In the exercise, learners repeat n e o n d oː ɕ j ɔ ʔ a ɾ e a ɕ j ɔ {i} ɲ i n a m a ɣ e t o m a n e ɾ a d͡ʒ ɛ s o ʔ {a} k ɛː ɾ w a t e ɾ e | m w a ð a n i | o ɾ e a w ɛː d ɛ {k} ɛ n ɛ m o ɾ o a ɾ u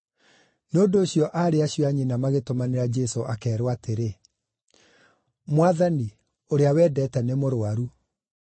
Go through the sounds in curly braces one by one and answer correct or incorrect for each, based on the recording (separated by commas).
incorrect, correct, incorrect